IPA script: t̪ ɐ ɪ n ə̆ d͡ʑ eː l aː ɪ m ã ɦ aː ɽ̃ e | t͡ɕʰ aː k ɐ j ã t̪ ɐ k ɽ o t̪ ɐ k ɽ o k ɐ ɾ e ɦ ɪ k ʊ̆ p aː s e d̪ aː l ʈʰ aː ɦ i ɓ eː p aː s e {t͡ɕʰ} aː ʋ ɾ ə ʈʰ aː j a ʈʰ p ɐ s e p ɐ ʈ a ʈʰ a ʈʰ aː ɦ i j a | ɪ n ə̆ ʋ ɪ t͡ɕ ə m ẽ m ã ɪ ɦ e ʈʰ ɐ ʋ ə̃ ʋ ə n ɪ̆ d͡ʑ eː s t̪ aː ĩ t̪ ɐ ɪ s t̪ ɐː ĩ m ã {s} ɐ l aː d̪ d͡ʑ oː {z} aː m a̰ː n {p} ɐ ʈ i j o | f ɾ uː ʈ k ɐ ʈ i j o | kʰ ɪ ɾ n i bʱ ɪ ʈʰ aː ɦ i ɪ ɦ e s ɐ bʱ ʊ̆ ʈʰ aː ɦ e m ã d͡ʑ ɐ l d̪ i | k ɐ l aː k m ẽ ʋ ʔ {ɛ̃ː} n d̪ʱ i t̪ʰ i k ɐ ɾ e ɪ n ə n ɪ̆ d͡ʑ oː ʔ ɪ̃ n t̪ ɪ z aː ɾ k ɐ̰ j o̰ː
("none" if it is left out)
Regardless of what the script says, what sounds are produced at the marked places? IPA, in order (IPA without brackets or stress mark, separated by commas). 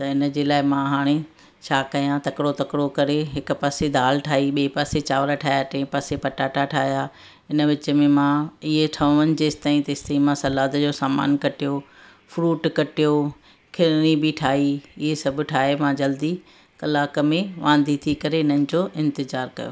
t͡ɕ, s, s, k, ãː